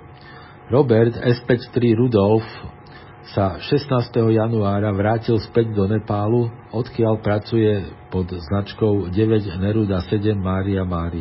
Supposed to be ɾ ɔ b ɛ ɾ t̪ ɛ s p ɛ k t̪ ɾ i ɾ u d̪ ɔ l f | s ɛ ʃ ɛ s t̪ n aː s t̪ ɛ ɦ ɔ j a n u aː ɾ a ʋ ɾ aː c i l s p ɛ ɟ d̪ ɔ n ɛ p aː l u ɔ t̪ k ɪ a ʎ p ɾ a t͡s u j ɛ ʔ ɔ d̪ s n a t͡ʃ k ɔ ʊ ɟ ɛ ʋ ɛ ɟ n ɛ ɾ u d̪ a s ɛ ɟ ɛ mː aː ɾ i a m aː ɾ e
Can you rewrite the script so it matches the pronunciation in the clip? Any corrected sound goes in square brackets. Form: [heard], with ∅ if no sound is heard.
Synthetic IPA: ɾ ɔ b ɛ ɾ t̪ ɛ s p ɛ [c] t̪ ɾ i ɾ u d̪ ɔ l f | s [a] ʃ ɛ s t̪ n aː s t̪ ɛ ɦ ɔ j a n u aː ɾ a ʋ ɾ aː c i l s p ɛ ɟ d̪ ɔ n ɛ p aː l u ɔ t̪ k ɪ a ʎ p ɾ a t͡s u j ɛ [p] ɔ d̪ [z] n a t͡ʃ k ɔ ʊ ɟ ɛ ʋ ɛ ɟ n ɛ ɾ u d̪ a s ɛ ɟ ɛ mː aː ɾ i a m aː ɾ [i]